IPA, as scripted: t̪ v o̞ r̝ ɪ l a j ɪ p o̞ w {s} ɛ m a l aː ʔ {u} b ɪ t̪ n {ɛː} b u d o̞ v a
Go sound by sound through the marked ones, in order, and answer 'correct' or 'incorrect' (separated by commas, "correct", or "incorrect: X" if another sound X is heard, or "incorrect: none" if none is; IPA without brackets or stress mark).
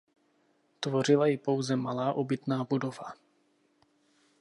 incorrect: z, incorrect: o, incorrect: aː